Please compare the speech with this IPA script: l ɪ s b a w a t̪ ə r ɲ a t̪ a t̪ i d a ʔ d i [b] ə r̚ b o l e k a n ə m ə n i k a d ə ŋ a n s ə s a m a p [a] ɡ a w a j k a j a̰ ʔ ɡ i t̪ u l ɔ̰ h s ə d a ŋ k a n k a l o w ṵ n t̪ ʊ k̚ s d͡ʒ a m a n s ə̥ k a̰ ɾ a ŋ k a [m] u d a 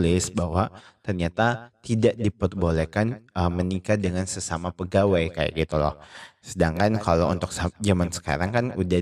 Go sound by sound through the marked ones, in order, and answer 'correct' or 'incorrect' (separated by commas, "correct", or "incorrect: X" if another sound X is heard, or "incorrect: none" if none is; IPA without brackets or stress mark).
incorrect: p, incorrect: ə, incorrect: n